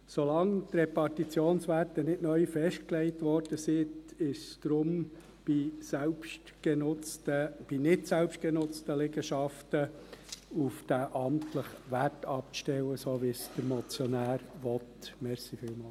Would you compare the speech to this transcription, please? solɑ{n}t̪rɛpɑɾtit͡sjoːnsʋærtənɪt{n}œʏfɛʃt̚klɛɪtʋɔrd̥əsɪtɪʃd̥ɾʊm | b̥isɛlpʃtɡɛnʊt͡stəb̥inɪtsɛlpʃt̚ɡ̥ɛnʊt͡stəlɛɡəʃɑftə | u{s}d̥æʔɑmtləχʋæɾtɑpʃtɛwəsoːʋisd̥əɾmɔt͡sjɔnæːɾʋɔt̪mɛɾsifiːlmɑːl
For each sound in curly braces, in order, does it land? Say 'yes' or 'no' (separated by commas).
no, yes, no